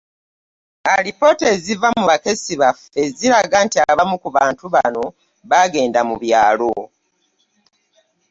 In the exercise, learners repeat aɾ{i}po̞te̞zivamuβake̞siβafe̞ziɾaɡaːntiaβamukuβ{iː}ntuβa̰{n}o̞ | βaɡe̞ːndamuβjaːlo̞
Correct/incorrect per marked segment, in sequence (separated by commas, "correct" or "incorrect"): correct, incorrect, correct